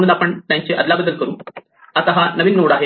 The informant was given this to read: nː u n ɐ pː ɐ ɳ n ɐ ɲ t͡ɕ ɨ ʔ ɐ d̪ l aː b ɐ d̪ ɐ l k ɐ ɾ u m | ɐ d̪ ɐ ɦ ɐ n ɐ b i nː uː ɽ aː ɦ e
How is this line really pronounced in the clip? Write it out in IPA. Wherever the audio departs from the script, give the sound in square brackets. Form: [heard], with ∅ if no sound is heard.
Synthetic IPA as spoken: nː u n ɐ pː ɐ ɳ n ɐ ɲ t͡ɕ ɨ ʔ ɐ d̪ l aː b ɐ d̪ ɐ l k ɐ ɾ u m | ɐ [t̪] ɐ ɦ ɐ n ɐ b i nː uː ɽ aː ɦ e